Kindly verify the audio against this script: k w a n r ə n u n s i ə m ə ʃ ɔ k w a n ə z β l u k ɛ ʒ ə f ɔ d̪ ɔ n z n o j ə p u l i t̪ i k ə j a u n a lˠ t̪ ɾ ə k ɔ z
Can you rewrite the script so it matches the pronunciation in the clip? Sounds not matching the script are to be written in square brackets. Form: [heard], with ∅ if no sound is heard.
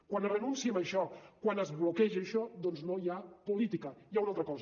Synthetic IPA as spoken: k w a n r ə n u n s i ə m ə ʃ ɔ k w a n ə z β l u k ɛ ʒ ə [ʃ] ɔ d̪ ɔ n z n o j [a] p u l i t̪ i k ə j a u n a lˠ t̪ ɾ ə k ɔ z